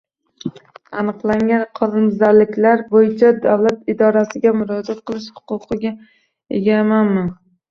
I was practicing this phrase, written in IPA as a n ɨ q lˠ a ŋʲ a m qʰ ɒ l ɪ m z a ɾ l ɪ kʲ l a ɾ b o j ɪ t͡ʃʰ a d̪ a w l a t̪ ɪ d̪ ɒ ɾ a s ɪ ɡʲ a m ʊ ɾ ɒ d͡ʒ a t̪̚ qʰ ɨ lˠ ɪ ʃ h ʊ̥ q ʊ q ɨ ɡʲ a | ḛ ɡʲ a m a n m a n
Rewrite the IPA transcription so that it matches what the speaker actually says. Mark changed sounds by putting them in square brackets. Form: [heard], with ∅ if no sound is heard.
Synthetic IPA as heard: a n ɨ q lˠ a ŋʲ a [n] qʰ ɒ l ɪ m z a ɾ l ɪ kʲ l a ɾ b o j ɪ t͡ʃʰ a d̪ a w l a t̪ ɪ d̪ ɒ ɾ a s ɪ ɡʲ a m ʊ ɾ ɒ d͡ʒ a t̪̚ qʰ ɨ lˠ ɪ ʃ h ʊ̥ q ʊ q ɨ ɡʲ a | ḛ ɡʲ a m a n m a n

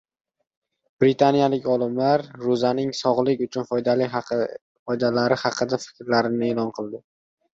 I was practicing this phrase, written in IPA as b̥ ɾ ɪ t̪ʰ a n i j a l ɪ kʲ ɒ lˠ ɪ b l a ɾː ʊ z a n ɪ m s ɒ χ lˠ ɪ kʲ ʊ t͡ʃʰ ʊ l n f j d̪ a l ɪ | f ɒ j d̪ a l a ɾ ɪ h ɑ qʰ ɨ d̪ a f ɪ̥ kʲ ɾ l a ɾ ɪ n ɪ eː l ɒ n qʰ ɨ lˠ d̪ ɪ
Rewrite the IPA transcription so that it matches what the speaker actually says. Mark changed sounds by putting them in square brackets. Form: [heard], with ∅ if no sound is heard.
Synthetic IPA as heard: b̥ ɾ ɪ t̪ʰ a n i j a l ɪ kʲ ɒ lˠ ɪ [m] l a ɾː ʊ z a n ɪ [ŋ] s ɒ [ʁ] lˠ ɪ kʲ ʊ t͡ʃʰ ʊ [∅] n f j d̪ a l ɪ | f ɒ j d̪ a l a ɾ ɪ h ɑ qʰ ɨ d̪ a f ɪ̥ kʲ ɾ l a ɾ ɪ n ɪ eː l ɒ n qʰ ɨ lˠ d̪ ɪ

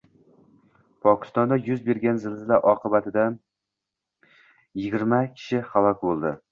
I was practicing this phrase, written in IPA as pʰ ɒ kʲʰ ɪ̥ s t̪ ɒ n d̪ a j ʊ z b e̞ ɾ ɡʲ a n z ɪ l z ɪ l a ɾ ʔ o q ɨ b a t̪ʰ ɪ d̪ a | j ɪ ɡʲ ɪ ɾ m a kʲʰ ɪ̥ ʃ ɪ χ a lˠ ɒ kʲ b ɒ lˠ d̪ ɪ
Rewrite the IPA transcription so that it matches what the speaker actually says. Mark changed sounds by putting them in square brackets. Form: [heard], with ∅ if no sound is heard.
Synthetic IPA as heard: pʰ ɒ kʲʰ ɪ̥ s t̪ ɒ n d̪ a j ʊ z b e̞ ɾ ɡʲ a n z ɪ l z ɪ l a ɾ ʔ [ɒ] q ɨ b a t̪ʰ ɪ d̪ a | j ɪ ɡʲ ɪ ɾ m a kʲʰ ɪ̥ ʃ ɪ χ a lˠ ɒ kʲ b [o] lˠ d̪ ɪ

